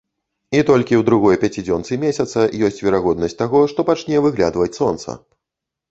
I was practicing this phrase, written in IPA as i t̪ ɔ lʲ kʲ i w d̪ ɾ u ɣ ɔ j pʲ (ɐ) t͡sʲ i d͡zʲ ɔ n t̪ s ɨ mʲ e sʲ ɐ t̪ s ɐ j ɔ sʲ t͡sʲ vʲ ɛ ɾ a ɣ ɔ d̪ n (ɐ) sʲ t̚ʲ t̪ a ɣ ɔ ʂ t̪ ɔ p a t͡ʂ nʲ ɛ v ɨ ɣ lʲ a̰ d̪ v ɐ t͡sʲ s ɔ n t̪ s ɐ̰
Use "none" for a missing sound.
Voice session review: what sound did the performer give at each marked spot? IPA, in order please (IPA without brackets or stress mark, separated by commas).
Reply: a, ɐ